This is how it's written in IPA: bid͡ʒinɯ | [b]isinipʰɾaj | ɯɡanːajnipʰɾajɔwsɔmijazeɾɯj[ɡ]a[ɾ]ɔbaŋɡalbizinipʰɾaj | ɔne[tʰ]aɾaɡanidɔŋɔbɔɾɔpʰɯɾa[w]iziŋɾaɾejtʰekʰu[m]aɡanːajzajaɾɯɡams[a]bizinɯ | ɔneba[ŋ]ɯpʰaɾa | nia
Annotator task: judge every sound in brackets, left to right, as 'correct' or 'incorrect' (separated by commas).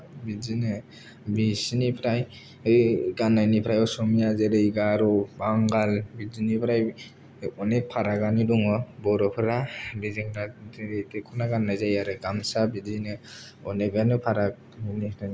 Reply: correct, correct, correct, incorrect, incorrect, incorrect, correct, incorrect